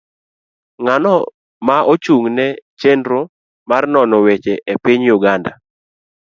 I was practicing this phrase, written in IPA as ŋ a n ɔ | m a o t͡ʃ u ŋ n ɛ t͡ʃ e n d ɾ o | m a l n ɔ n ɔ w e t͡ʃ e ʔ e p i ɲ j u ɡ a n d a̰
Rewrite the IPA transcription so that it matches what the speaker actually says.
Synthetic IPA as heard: ŋ a n ɔ | m a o t͡ʃ u ŋ n ɛ t͡ʃ e n d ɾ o | m a r n ɔ n ɔ w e t͡ʃ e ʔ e p i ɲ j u ɡ a n d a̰